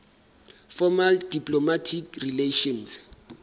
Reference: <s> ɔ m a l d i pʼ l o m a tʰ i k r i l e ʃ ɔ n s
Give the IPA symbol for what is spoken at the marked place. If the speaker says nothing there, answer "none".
f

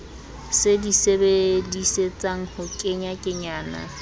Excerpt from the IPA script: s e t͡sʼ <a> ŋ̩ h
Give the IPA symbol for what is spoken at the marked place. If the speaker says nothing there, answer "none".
a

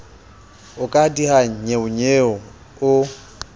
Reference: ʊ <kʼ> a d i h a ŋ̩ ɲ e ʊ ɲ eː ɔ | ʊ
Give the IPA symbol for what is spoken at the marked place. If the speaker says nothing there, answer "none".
kʼ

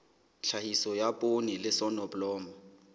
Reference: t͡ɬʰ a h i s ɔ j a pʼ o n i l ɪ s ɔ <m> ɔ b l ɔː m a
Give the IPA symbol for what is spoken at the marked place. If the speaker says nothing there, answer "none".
n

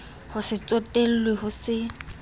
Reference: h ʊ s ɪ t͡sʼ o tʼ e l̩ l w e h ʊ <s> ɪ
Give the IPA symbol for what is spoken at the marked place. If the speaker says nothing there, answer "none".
s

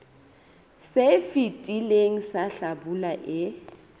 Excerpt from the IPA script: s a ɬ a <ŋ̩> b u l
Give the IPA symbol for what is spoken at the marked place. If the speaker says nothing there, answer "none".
none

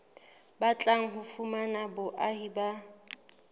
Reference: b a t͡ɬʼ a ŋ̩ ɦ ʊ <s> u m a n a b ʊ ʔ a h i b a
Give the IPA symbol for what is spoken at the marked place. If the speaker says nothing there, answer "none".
f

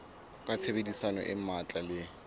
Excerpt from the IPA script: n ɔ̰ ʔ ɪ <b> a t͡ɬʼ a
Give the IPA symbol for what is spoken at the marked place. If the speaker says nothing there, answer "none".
m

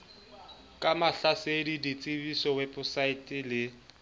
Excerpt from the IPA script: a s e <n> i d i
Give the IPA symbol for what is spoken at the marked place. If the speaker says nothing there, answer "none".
d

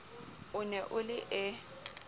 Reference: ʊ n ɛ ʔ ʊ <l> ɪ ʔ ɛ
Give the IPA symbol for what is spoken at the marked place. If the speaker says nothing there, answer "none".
l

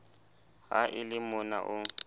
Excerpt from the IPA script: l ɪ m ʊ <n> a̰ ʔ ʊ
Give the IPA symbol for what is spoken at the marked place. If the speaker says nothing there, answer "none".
n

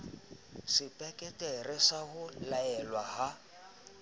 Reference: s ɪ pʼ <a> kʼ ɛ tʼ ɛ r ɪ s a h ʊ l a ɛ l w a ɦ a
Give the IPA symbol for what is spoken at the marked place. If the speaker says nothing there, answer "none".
ɛ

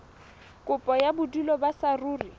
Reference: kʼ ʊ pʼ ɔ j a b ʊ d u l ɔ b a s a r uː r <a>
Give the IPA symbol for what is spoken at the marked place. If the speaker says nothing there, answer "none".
i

